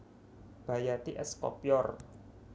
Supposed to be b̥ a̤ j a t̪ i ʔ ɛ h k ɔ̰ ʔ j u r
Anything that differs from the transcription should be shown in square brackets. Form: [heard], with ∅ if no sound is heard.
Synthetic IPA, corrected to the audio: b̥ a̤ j a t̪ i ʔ ɛ [s] k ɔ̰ [p] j [ɔ] r